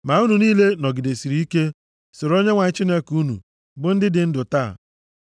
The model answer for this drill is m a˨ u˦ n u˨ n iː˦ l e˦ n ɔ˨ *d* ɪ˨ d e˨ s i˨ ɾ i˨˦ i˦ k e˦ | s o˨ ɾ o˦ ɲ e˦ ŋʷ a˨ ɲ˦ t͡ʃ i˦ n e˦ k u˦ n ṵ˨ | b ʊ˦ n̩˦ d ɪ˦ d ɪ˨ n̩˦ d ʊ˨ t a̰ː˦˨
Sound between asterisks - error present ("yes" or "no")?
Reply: yes